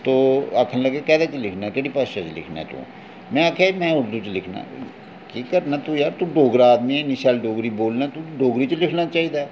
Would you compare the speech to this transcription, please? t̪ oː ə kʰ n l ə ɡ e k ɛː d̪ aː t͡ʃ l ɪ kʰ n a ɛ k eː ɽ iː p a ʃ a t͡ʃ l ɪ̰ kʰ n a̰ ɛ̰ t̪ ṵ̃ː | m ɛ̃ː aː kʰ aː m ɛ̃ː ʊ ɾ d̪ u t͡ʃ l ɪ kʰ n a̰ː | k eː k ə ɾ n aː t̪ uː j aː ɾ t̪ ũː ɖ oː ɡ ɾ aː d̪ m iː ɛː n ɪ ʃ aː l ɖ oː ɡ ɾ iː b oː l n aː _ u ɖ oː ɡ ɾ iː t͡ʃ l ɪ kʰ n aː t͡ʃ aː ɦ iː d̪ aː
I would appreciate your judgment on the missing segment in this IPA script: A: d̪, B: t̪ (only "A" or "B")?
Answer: B